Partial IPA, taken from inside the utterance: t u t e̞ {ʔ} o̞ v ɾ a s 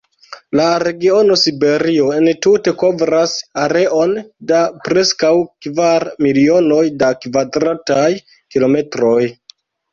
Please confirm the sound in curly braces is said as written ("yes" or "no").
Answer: no